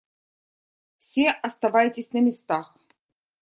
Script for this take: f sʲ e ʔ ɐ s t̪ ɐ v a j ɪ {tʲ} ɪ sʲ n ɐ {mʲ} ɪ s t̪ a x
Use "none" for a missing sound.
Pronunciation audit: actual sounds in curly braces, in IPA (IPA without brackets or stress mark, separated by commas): tʲ, mʲ